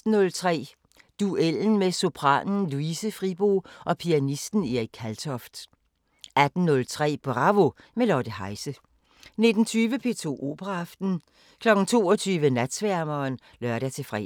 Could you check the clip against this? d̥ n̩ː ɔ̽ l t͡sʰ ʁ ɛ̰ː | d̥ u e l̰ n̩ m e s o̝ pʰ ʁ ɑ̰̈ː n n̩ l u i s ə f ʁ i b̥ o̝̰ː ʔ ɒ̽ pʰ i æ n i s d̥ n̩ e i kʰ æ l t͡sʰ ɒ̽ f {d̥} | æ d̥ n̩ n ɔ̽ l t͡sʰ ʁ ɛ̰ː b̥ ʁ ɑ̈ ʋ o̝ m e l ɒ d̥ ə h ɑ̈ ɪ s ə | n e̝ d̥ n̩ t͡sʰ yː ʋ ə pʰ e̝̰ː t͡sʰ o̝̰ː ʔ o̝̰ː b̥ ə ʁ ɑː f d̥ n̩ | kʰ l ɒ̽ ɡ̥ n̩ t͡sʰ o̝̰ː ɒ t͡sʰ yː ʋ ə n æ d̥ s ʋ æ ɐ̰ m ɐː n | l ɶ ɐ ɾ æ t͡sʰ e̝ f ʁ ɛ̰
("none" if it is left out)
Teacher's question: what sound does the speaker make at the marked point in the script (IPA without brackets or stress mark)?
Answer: d̥